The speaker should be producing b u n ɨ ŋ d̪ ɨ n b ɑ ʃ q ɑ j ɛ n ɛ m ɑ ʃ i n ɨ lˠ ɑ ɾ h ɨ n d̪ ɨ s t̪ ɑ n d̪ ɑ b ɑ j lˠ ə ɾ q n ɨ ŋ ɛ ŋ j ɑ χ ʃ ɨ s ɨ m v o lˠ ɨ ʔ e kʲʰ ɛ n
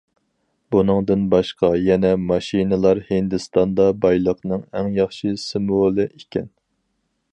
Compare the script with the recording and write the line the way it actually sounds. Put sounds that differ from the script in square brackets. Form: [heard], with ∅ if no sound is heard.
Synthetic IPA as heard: b u n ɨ ŋ d̪ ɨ n b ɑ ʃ q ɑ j ɛ n ɛ m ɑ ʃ i n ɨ lˠ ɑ ɾ h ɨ n d̪ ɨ s t̪ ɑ n d̪ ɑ b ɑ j lˠ ə [∅] q n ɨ ŋ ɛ ŋ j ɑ χ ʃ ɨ s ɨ m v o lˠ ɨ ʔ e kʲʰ ɛ n